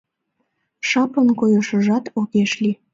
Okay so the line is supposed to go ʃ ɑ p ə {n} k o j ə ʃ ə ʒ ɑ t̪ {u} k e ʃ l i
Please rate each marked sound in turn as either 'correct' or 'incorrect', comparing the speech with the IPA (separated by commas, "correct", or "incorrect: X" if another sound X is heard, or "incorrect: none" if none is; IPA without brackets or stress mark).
correct, incorrect: o